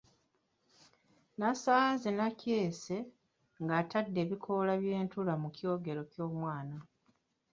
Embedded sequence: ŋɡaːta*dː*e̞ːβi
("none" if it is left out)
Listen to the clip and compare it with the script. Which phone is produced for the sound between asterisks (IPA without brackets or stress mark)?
dː